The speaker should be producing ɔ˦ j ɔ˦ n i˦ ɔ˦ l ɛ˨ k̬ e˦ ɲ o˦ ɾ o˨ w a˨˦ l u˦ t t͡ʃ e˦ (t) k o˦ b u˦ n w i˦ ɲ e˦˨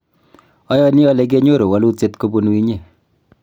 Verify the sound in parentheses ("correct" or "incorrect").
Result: correct